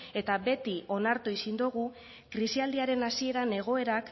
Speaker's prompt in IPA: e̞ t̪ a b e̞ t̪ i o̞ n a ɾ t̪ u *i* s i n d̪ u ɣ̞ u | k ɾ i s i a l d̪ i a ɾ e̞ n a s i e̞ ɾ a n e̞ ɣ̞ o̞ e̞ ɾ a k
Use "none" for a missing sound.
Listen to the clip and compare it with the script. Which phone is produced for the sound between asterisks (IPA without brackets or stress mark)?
i